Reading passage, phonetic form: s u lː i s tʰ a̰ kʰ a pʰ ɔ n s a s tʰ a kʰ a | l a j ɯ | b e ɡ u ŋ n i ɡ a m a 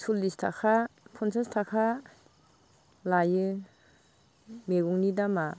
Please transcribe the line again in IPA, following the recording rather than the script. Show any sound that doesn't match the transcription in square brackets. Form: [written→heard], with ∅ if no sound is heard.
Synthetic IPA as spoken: s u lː i s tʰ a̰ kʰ a pʰ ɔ n s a s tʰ a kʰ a | l a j ɯ | [b→m] e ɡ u ŋ n i [ɡ→d] a m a

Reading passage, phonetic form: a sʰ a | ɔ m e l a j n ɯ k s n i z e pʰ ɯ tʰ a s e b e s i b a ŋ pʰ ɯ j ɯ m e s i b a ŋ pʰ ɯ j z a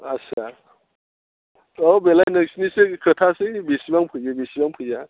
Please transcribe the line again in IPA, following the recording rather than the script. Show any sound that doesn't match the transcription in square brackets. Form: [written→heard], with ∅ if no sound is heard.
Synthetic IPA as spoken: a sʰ a | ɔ [m→b] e l a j n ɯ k s n i [z→s] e [pʰ→kʰ] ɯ tʰ a s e b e s i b a ŋ pʰ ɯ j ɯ [m→b] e s i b a ŋ pʰ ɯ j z a

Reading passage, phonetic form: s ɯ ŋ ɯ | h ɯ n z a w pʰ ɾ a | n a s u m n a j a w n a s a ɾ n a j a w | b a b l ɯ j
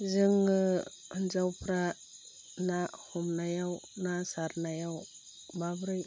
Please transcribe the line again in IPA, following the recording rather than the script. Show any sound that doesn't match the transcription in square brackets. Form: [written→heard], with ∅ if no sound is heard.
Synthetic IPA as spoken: [s→z] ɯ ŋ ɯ | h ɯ n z a w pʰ ɾ a | n a [s→h] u m n a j a w n a s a ɾ n a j a w | b a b [l→ɾ] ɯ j

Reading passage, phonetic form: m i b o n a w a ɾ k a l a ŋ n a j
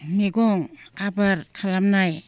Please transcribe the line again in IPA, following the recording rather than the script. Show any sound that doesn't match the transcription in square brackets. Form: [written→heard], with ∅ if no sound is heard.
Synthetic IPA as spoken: m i [b→ɡ] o [n→ŋ] a [w→b] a ɾ [k→kʰ] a l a [ŋ→m] n a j

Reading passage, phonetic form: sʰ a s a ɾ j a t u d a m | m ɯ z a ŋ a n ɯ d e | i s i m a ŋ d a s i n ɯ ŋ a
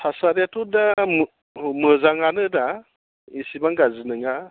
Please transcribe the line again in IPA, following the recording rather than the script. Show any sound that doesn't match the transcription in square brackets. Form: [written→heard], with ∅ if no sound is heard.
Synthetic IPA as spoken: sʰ a s a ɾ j a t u d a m | m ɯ z a ŋ a n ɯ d [e→a] | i s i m a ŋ [d→ɡ] a [s→z] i n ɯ ŋ a

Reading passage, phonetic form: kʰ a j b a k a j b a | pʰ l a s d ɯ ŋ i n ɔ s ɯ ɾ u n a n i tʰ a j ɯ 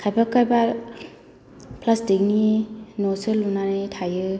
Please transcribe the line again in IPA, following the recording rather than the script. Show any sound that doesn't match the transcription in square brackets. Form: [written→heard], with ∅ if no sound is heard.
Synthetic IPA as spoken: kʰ a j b a k a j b a | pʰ l a s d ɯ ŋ i n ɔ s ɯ [ɾ→l] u n a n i tʰ a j ɯ

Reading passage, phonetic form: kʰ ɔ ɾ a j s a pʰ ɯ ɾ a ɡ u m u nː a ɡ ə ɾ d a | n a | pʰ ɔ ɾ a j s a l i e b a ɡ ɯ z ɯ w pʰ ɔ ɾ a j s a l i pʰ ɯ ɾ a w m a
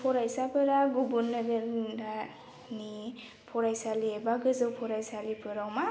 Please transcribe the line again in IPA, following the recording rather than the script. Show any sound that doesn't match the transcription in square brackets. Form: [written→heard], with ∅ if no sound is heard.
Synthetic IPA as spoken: [kʰ→pʰ] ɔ ɾ a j s a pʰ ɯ ɾ a ɡ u [m→b] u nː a ɡ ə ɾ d a | n [a→i] | pʰ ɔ ɾ a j s a l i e b a ɡ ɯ z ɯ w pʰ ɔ ɾ a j s a l i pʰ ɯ ɾ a w m a

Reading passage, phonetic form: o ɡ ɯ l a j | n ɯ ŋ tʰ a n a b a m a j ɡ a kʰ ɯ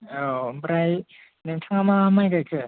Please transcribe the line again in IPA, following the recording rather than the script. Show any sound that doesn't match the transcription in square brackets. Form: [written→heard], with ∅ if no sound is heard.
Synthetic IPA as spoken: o [ɡ→b] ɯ [l→ɾ] a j | n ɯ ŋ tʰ a [n→ŋ] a [b→m] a m a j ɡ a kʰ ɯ

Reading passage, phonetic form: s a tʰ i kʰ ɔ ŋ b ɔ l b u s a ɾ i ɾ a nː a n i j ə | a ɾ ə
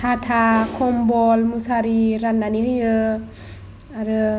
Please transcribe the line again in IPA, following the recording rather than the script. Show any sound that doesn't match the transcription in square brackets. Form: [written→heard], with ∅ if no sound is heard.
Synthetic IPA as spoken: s a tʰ [i→a] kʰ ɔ [ŋ→m] b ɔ l [b→m] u s a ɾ i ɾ a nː a n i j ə | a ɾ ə

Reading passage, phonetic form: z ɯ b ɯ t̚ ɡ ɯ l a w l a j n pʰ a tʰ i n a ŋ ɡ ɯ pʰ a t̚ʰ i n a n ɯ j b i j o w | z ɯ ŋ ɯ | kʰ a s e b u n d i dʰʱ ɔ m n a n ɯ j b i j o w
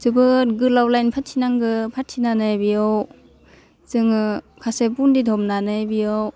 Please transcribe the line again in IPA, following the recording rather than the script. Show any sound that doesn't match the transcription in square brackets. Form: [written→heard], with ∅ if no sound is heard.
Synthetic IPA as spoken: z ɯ b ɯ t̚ ɡ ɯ l a w l a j n pʰ a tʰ i n a ŋ ɡ ɯ pʰ a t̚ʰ i n a n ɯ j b i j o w | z ɯ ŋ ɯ | kʰ a s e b u n d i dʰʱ ɔ m n a n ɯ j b i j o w

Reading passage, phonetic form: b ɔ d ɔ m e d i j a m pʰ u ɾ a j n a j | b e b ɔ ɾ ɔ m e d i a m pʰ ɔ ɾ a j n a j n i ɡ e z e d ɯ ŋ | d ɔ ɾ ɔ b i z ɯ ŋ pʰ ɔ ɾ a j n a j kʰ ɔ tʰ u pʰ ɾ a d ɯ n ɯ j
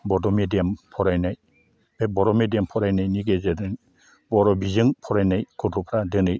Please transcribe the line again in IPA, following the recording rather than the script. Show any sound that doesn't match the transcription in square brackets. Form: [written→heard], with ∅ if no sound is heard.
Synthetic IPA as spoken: b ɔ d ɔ m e d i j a m pʰ [u→ɔ] ɾ a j n a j | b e b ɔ ɾ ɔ m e d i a m pʰ ɔ ɾ a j n a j n i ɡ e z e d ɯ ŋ | [d→b] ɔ ɾ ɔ b i z ɯ ŋ pʰ ɔ ɾ a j n a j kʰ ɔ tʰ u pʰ ɾ a d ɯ n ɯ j

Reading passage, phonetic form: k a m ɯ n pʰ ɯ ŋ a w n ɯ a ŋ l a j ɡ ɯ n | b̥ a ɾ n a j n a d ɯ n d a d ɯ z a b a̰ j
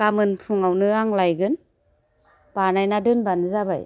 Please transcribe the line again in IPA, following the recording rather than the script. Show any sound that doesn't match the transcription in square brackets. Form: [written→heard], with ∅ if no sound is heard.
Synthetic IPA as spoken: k a m ɯ n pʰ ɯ ŋ a w n ɯ a ŋ l a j ɡ ɯ n | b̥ a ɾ n a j n a d ɯ n [d→b] a [d→n] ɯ z a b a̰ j

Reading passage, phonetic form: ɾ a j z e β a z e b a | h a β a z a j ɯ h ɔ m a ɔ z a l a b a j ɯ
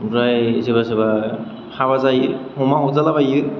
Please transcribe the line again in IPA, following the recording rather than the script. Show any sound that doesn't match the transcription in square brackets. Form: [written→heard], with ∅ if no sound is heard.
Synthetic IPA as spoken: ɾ a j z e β a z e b a | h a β a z a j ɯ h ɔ m a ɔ z a l a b a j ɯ

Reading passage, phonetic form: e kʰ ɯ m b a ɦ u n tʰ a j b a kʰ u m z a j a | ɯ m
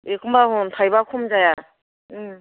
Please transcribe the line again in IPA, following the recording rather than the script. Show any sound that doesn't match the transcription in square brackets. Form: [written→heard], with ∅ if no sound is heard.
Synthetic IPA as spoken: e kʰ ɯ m b a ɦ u n tʰ a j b a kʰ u m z a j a | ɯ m

